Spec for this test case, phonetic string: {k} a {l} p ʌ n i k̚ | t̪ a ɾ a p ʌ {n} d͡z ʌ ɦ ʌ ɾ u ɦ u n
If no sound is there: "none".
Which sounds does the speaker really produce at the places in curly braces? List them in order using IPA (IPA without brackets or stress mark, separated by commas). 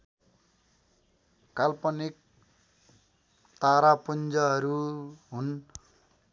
k, l, n